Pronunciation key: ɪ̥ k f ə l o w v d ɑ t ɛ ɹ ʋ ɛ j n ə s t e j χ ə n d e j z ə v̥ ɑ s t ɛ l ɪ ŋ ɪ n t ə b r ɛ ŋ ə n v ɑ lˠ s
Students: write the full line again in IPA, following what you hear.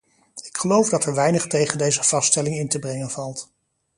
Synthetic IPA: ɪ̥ k χ ə l o w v d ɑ t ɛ ɹ ʋ ɛ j n ə χ t e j χ ə n d e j z ə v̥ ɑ s t ɛ l ɪ ŋ ɪ n t ə b r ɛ ŋ ə n v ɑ lˠ t